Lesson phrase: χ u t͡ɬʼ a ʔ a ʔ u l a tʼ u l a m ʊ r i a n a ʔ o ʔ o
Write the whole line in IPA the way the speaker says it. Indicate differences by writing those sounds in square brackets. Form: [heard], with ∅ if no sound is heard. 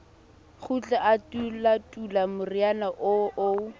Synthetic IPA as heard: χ u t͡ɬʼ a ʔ a [t] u l a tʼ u l a m ʊ r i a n a ʔ o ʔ o

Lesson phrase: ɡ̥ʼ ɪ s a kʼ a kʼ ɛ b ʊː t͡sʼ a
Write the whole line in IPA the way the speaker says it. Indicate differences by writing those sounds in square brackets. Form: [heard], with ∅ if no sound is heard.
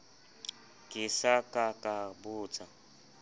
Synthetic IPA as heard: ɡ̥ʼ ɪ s a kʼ a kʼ [a] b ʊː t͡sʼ a

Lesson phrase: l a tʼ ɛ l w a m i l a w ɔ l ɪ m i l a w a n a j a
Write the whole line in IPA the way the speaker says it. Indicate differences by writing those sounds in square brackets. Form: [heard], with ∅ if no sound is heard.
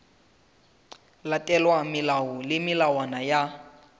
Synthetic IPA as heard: l a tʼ ɛ l w a m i l a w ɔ l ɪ m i l a w a n a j a

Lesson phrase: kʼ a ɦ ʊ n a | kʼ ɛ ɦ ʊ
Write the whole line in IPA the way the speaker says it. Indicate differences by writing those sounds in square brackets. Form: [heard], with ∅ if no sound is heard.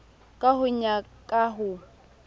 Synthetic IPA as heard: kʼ a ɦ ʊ [ɲ] a | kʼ [a] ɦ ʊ

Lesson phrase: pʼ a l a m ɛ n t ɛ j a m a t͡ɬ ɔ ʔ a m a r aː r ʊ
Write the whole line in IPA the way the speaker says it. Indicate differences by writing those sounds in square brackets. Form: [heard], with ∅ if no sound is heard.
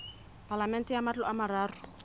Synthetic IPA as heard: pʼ a l a m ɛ n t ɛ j a m a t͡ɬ ɔ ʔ a m a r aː r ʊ

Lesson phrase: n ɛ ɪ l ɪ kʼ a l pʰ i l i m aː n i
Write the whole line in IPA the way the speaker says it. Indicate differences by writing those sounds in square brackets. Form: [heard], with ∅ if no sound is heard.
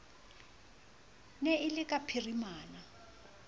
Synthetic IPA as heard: n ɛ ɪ l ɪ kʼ a [∅] pʰ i [r] i m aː n [a]

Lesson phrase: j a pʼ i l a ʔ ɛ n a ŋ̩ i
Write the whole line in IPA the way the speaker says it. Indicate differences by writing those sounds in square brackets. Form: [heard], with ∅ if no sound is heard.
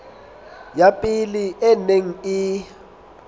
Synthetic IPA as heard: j a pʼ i l [i] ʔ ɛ n [e] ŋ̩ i

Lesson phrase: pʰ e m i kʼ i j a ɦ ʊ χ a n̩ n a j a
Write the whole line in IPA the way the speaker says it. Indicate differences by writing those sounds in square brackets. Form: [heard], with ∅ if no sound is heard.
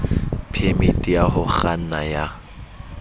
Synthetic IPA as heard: pʰ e m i [tʼ] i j a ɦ ʊ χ a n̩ n a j a

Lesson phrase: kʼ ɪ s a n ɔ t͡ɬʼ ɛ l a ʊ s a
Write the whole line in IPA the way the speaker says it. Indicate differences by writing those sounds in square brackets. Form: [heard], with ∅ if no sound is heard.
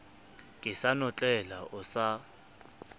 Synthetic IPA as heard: kʼ ɪ s a n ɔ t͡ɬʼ ɛ l a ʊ s a

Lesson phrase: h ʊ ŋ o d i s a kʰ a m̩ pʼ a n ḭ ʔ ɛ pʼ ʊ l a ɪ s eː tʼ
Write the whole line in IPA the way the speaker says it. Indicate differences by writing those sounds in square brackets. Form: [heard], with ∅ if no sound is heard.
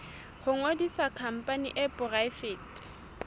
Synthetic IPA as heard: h ʊ ŋ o d i s a kʰ a m̩ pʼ a n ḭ ʔ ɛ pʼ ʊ [r] a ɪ [f] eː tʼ

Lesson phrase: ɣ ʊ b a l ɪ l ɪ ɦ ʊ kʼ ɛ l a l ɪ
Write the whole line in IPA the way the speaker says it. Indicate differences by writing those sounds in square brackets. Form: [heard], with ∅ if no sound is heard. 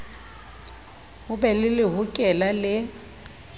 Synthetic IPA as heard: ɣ ʊ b [ɛ] l ɪ l ɪ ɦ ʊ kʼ ɛ l a l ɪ

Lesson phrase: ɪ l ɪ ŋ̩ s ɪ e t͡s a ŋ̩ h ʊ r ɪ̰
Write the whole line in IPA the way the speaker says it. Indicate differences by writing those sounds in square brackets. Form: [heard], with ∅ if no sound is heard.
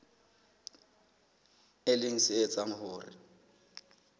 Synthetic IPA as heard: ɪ l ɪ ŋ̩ s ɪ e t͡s a ŋ̩ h [ʊː] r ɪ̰

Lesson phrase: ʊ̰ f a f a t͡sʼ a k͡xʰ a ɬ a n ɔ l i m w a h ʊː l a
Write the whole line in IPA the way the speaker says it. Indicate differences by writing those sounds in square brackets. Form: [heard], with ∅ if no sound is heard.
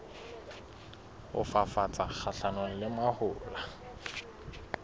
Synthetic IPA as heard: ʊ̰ f a f a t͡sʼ a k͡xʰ a ɬ a n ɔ l [ɪ] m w a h ʊː l a

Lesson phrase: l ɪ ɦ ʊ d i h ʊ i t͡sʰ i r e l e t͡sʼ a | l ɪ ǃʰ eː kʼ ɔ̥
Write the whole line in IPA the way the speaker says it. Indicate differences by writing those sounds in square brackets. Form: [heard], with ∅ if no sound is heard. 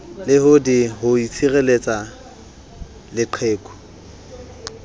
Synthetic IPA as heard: l ɪ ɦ ʊ d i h ʊ i t͡sʰ i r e l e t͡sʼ a | l ɪ ǃʰ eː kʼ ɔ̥

